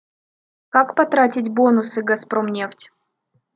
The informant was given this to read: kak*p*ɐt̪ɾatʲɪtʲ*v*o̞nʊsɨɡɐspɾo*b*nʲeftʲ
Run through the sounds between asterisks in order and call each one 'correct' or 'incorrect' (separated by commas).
correct, incorrect, incorrect